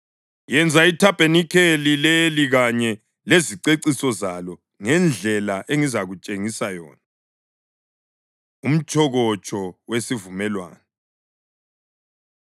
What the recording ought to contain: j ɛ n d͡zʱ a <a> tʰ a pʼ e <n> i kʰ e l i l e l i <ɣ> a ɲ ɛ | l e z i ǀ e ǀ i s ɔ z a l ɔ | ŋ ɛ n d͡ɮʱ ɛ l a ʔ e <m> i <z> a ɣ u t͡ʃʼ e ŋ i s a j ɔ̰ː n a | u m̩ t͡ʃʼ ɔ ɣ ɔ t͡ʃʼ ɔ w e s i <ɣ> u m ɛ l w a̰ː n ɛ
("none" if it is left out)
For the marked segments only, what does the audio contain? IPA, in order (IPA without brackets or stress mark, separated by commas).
i, n, ɣ, ŋ, z, v